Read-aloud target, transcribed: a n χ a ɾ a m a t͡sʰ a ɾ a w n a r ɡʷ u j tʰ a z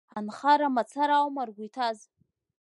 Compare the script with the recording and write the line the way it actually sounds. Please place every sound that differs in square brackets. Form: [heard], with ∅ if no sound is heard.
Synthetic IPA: a n χ a ɾ a m a t͡sʰ a ɾ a w [m] a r ɡʷ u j tʰ a z